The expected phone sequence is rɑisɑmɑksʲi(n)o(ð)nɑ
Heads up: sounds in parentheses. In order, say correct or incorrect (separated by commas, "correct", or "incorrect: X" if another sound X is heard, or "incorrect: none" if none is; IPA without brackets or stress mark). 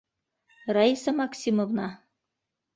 incorrect: m, incorrect: v